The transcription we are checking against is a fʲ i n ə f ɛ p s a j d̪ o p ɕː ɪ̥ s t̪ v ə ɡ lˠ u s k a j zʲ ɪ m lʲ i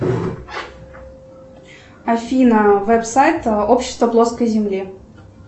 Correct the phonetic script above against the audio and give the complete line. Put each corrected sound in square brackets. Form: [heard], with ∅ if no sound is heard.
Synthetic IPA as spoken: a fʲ i n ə [v] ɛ p s a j [t̪] o p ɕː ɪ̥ s t̪ v ə [b] lˠ [o] s k [ə] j zʲ ɪ m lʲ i